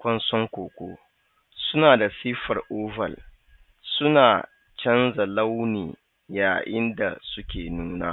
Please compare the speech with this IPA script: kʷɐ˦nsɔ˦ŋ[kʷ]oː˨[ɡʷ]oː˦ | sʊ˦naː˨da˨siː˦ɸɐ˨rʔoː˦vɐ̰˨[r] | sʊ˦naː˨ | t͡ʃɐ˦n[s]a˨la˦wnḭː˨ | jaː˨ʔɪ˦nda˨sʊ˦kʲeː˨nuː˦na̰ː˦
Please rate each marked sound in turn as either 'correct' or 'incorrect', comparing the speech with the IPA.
correct, incorrect: kʷ, incorrect: l, incorrect: z

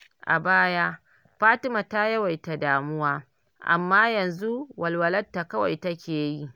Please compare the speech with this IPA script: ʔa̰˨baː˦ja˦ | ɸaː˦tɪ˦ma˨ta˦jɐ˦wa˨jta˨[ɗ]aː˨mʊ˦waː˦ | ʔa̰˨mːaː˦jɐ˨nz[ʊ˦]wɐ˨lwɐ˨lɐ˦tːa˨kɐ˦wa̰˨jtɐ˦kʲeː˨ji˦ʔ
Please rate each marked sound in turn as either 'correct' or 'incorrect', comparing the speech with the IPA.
incorrect: d, incorrect: u˦

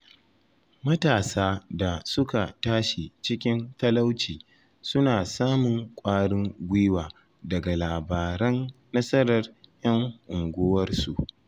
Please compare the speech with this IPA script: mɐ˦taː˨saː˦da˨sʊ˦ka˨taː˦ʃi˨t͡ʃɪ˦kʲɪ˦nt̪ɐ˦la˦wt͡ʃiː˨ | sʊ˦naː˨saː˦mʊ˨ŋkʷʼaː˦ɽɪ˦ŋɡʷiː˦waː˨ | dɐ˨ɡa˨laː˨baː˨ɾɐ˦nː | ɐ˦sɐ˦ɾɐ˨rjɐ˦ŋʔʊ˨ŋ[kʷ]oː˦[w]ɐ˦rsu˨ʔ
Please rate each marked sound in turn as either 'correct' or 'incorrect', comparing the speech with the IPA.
incorrect: ɡʷ, correct

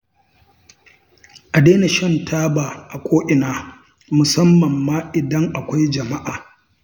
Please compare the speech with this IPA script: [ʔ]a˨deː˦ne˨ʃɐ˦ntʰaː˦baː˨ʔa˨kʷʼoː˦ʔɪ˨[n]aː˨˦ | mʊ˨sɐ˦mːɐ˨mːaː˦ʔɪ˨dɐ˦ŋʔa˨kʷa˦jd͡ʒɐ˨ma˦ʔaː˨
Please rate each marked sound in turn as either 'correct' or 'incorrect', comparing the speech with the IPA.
correct, correct

